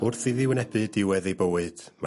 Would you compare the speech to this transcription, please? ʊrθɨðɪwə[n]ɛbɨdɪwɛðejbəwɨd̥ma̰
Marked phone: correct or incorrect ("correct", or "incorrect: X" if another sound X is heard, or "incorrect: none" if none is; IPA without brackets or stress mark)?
correct